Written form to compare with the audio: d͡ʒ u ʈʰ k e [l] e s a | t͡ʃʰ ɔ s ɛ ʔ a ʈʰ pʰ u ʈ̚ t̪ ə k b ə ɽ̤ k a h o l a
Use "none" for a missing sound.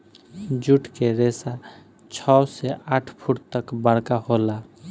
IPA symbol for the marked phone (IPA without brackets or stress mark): ɾ